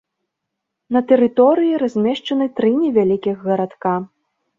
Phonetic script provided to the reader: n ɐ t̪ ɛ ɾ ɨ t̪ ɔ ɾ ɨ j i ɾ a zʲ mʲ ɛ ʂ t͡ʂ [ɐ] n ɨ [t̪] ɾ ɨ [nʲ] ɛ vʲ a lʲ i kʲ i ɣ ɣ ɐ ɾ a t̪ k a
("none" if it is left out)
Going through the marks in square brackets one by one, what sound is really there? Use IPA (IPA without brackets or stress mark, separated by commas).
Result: ɐ, t̪, nʲ